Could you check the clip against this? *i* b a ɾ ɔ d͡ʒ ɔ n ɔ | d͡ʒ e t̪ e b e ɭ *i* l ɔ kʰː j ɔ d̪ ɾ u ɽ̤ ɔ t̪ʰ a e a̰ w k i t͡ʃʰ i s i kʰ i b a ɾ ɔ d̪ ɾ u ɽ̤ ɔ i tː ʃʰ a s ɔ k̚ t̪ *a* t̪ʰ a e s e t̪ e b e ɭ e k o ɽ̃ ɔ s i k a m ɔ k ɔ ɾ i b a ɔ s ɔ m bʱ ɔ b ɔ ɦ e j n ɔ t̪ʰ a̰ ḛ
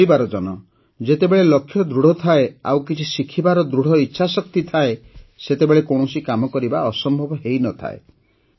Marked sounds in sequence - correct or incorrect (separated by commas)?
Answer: correct, incorrect, incorrect